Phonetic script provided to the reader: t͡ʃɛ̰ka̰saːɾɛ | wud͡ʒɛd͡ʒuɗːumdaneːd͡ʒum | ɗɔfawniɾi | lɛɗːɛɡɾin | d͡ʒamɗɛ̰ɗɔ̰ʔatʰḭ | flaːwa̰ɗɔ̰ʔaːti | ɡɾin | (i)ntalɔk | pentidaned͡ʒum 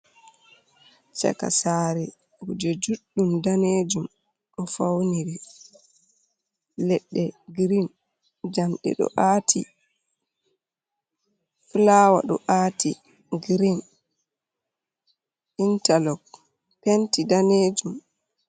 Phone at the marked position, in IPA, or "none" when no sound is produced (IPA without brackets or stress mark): i